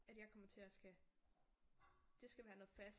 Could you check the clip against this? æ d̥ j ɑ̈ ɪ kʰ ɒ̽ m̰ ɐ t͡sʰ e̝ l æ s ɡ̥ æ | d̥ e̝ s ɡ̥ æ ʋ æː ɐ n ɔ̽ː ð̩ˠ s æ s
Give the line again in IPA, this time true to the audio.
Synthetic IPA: æ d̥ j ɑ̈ ɪ kʰ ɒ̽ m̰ ɐ t͡sʰ e̝ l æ s ɡ̥ æ | d̥ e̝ s ɡ̥ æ ʋ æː ɐ n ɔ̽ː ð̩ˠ f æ s